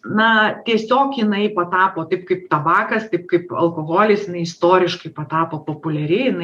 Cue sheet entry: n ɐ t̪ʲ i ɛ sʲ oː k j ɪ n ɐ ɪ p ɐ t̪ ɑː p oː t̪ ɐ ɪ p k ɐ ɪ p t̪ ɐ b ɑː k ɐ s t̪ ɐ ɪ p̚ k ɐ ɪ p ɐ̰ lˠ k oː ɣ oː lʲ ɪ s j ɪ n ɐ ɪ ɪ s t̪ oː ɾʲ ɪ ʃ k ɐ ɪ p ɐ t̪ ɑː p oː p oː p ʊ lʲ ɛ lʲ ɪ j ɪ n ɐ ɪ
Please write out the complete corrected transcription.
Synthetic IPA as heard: n ɐ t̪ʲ i ɛ sʲ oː k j ɪ n ɐ ɪ p ɐ t̪ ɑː p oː t̪ ɐ ɪ p k ɐ ɪ p t̪ ɐ b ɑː k ɐ s t̪ ɐ ɪ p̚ k ɐ ɪ p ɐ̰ lˠ k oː ɣ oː lʲ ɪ s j ɪ n ɐ ɪ ɪ s t̪ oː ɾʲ ɪ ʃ k ɐ ɪ p ɐ t̪ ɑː p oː p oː p ʊ lʲ ɛ ɾʲ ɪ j ɪ n ɐ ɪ